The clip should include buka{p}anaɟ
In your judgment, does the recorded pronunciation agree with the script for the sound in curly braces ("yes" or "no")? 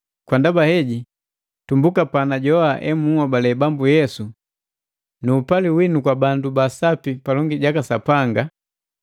yes